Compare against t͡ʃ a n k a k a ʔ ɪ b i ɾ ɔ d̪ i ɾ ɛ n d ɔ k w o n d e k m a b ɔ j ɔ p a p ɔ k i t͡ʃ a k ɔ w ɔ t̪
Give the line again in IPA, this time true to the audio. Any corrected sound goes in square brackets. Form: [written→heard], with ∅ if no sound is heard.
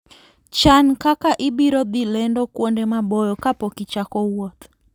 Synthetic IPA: t͡ʃ a n k a k a ʔ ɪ b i ɾ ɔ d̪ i [ɾ→l] ɛ n d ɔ k w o n d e [k→∅] m a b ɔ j ɔ [p→k] a p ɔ k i t͡ʃ a k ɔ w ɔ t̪